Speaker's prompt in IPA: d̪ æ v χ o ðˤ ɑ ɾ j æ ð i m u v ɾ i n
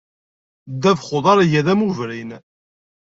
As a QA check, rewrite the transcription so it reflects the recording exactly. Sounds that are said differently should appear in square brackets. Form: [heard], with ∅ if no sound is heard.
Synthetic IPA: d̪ æ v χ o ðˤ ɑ ɾ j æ ð [æ] m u v ɾ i n

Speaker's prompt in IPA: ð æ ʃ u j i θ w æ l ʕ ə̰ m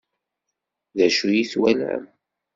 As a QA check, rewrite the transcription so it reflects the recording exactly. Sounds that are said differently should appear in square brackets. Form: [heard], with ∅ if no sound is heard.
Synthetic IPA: ð æ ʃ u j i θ w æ l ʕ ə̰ m

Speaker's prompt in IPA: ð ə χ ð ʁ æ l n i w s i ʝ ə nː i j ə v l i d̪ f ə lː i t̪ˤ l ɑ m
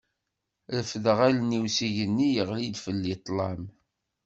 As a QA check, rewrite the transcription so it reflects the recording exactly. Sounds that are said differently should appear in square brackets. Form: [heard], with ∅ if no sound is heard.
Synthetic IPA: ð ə [f] ð ʁ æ l n i w s i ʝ ə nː i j ə [ʁ] l i d̪ f ə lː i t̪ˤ l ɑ m

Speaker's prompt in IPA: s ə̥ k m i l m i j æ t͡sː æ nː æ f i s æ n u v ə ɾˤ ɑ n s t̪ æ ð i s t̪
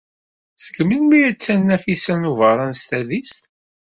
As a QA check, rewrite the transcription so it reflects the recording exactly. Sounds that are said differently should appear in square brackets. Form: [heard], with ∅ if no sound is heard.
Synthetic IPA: s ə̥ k m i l m i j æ t͡sː æ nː æ f i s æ n u v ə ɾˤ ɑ n s t̪ æ ð i s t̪

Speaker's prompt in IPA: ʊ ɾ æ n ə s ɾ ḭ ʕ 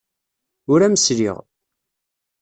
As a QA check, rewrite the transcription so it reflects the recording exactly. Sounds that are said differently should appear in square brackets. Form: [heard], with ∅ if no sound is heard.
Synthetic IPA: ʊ ɾ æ [m] ə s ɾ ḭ [ʁ]

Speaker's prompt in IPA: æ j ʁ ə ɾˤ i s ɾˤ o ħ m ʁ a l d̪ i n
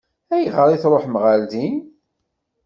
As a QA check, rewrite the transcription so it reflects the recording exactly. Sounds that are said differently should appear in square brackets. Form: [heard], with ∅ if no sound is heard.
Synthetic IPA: æ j ʁ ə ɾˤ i [θ] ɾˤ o ħ m ʁ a l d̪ i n

